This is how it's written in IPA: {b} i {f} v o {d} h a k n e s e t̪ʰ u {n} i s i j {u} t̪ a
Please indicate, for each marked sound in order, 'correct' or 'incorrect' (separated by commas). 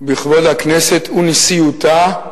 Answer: correct, incorrect, correct, correct, correct